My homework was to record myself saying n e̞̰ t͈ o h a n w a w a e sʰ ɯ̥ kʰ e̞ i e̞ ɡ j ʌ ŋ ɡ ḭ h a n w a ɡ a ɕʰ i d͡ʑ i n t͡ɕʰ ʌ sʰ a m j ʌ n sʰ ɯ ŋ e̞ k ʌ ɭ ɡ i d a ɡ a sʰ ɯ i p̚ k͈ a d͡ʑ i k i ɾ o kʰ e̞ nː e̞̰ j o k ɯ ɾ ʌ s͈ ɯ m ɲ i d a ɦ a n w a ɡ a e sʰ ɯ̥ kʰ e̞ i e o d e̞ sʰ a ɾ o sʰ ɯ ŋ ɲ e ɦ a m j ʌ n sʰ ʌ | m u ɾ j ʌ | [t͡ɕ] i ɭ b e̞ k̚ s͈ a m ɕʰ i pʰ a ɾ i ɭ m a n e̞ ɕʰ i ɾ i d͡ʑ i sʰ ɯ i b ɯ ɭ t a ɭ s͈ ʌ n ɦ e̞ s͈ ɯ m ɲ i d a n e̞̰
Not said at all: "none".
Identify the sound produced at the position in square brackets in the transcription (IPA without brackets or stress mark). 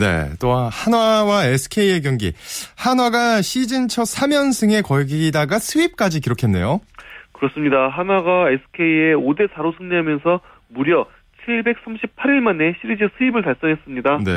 t͡ɕʰ